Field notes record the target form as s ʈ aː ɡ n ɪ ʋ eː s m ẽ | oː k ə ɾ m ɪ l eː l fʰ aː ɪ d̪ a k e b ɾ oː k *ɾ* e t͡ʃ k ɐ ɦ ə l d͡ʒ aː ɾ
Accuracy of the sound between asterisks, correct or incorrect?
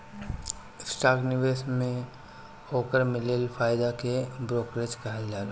correct